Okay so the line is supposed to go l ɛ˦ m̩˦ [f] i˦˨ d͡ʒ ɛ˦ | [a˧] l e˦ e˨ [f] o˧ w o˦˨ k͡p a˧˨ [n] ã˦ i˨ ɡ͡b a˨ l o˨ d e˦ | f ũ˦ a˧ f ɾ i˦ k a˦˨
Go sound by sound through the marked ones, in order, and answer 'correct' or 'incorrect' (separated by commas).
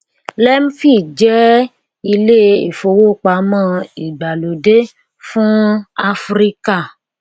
correct, incorrect, correct, incorrect